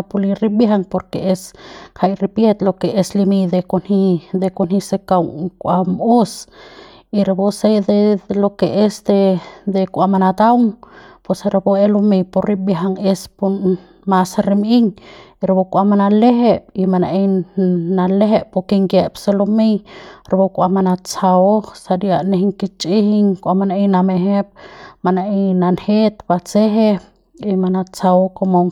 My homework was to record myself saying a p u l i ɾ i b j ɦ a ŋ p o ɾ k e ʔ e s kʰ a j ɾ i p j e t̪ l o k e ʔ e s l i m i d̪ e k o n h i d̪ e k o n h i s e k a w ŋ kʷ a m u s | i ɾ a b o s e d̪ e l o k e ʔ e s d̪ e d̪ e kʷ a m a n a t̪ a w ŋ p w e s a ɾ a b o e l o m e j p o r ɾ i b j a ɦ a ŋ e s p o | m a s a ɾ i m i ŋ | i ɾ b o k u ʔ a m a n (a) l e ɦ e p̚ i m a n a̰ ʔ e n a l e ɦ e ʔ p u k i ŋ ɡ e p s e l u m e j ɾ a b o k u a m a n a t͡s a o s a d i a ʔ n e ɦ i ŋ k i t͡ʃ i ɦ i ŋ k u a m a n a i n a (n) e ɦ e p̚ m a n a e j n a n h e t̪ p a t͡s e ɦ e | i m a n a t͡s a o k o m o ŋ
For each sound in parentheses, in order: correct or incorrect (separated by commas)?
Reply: correct, incorrect